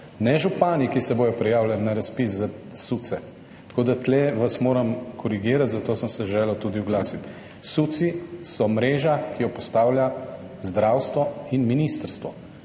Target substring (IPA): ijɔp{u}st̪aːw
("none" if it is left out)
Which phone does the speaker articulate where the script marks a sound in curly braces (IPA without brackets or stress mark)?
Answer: ɔ